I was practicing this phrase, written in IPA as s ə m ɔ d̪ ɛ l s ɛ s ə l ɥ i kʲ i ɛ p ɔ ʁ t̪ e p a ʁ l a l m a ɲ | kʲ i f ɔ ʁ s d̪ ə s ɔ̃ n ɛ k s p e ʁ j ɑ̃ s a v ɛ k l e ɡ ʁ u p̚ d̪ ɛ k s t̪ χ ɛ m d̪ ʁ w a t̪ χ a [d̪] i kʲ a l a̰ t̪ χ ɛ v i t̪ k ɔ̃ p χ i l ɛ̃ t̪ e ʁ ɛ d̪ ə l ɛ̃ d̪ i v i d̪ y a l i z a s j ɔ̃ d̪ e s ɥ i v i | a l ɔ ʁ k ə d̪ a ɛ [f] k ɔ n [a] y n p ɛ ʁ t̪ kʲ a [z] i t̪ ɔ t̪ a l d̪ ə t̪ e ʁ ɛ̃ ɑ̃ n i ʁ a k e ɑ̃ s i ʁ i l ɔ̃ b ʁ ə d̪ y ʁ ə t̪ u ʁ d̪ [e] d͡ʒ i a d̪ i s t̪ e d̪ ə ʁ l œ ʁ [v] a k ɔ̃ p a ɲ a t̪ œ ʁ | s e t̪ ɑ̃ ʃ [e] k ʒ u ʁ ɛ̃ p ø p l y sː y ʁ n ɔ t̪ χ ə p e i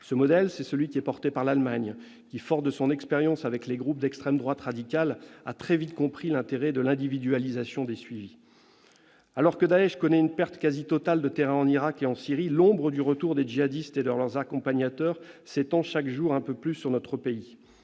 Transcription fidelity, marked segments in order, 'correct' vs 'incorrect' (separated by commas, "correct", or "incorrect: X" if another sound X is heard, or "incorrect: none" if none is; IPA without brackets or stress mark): correct, incorrect: ʃ, incorrect: ɛ, correct, correct, incorrect: z, incorrect: a